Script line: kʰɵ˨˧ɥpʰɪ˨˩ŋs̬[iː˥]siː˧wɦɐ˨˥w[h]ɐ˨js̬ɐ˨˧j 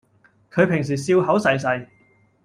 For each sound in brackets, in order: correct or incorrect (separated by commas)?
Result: incorrect, incorrect